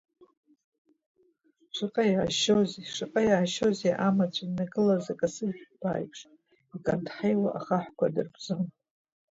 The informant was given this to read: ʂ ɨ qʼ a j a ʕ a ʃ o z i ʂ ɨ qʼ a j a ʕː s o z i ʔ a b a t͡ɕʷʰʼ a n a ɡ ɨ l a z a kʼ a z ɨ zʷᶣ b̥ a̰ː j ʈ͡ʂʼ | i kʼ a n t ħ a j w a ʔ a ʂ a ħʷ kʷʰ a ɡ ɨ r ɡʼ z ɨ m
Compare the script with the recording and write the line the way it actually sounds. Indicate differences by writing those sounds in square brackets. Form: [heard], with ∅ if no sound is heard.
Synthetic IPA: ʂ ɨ qʼ a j a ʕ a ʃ o z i ʂ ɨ qʼ a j a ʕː [ʃ] o z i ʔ a [m] a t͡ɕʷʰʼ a n a ɡ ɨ l a z a kʼ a [s] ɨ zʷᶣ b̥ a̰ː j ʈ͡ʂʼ | i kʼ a n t ħ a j w a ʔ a [χ] a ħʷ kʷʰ a [d] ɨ r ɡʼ z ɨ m